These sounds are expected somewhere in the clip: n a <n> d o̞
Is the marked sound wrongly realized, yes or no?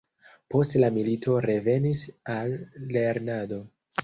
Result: yes